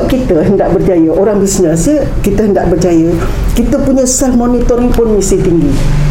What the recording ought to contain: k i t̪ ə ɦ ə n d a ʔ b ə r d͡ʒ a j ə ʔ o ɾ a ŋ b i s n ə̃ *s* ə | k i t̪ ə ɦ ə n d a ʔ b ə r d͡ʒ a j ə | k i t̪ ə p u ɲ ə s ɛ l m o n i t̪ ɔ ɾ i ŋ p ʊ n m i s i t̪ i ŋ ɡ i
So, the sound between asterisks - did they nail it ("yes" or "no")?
yes